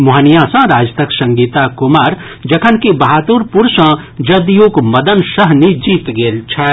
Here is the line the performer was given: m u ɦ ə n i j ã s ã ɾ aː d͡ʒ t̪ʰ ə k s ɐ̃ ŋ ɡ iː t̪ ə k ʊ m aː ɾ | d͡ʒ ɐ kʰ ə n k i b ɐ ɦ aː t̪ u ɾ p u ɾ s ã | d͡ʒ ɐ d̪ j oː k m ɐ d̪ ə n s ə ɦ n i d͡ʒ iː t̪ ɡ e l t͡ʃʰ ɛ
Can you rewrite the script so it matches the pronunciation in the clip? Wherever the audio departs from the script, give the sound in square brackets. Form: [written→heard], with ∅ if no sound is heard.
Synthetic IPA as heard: m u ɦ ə n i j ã s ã ɾ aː d͡ʒ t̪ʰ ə k s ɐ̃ ŋ ɡ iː t̪ [ə→a] k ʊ m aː ɾ | d͡ʒ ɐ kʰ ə n k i b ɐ ɦ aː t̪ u ɾ p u ɾ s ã | d͡ʒ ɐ d̪ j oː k m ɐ d̪ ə n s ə ɦ n i d͡ʒ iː t̪ ɡ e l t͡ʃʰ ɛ